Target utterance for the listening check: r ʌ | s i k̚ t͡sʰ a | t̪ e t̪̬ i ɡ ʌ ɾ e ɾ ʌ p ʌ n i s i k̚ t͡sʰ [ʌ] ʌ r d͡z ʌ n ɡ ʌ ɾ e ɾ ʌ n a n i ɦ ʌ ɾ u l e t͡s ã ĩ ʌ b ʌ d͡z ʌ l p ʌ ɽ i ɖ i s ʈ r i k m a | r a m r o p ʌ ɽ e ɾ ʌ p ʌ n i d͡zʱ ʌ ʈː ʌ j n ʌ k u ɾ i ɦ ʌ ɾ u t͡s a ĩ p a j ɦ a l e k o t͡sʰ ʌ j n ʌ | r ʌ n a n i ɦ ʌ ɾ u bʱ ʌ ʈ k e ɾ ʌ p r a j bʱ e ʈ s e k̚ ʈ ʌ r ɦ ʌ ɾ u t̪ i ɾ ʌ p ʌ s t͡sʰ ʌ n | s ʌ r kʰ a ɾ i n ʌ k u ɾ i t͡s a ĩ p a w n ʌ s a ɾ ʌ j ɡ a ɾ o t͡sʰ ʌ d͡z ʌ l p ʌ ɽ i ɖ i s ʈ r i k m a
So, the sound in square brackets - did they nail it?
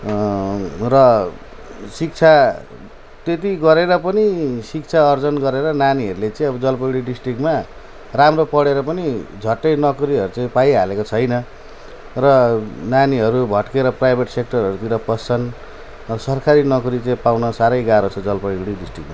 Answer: no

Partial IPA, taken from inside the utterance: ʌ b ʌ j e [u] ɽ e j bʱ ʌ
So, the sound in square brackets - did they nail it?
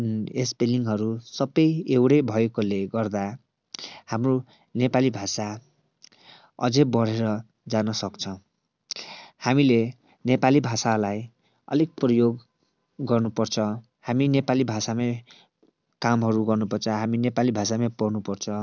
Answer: no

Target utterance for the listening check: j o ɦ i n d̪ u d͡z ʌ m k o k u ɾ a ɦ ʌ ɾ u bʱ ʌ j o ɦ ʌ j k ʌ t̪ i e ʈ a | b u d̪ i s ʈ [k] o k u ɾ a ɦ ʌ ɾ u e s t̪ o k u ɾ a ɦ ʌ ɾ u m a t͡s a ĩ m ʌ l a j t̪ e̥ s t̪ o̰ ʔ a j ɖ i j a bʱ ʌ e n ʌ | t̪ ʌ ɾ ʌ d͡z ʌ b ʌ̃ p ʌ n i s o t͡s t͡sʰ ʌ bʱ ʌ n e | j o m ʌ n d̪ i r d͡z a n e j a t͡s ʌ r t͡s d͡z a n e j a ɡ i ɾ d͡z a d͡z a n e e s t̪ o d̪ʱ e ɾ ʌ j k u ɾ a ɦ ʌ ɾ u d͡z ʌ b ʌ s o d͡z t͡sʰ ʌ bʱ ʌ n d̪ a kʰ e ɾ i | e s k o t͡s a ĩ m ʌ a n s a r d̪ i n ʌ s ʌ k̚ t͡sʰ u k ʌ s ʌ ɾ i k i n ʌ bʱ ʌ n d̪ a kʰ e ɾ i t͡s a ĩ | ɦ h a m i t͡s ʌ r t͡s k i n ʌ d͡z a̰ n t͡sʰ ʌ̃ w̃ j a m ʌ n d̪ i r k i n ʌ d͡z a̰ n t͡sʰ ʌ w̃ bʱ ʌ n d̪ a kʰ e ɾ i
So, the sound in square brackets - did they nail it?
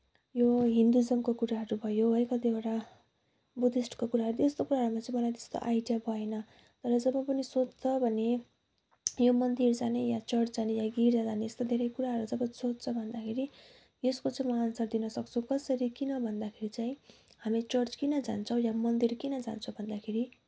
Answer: yes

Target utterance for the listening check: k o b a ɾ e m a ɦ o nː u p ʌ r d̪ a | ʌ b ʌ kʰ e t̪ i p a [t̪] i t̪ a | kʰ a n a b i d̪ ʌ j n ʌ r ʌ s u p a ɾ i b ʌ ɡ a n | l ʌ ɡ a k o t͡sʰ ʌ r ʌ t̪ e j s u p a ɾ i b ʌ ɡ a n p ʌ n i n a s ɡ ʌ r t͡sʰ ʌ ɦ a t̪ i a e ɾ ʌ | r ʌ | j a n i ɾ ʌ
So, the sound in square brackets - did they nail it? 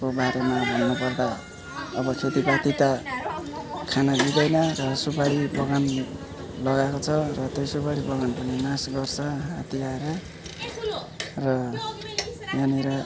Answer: yes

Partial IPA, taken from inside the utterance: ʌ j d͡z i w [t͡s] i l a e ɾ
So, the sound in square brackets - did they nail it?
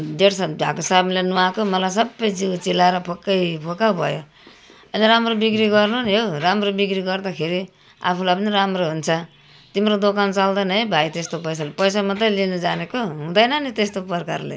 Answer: yes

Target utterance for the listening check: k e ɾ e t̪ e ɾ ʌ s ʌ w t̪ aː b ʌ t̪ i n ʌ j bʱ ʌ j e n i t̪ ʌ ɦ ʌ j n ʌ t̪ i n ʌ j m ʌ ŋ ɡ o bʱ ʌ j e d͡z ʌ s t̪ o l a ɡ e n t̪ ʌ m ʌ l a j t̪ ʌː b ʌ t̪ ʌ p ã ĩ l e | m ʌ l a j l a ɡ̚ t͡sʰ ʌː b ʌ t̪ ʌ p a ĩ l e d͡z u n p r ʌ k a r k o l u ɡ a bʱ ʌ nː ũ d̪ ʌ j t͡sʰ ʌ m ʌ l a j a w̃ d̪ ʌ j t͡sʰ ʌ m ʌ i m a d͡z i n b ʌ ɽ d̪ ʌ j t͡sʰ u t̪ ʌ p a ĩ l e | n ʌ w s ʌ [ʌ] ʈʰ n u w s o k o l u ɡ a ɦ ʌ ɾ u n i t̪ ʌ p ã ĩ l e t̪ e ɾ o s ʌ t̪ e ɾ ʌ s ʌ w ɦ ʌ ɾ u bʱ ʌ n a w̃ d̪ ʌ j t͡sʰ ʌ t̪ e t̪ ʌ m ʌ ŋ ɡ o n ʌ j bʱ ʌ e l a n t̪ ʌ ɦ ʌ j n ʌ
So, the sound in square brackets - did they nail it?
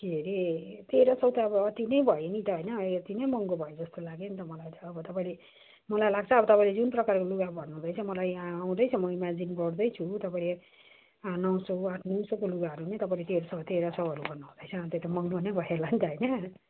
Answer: no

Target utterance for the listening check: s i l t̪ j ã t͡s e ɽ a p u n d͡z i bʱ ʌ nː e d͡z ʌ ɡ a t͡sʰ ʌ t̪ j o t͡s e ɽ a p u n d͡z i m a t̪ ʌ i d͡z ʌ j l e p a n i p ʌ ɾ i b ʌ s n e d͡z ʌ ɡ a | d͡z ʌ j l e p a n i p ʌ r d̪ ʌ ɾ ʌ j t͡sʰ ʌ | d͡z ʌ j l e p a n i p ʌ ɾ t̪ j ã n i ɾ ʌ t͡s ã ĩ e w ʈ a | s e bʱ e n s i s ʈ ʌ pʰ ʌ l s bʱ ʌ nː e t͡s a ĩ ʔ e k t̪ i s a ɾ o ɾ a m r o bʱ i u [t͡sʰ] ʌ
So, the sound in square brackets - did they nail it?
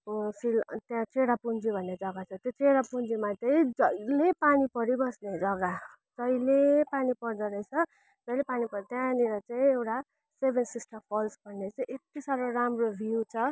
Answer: yes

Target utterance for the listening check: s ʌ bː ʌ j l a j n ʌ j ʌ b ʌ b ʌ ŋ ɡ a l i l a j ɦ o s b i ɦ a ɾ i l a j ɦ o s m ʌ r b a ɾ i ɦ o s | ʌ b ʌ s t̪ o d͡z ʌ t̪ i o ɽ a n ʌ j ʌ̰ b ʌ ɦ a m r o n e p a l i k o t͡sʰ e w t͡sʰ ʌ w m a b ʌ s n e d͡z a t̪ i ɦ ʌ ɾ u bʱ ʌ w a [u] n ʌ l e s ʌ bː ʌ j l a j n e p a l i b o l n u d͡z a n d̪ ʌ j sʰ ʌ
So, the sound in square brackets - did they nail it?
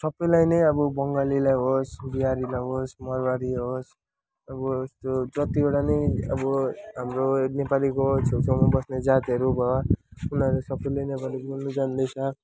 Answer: yes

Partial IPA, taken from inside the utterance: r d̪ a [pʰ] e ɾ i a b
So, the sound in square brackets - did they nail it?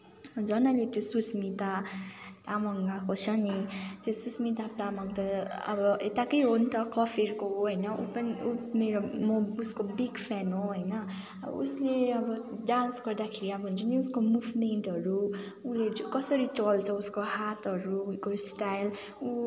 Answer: no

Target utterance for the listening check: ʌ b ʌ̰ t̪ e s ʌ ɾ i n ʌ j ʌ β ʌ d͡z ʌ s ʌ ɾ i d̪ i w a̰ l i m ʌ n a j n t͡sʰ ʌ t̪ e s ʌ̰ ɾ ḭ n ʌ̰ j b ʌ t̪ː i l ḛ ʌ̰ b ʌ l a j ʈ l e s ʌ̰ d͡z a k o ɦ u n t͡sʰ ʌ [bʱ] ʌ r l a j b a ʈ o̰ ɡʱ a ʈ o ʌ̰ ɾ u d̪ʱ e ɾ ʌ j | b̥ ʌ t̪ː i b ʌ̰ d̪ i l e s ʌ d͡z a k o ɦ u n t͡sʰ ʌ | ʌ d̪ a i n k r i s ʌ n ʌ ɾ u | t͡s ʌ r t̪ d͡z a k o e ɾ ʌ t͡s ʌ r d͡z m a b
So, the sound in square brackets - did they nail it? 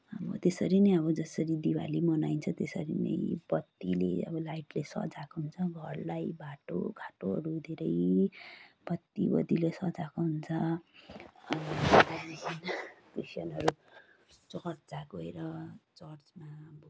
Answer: no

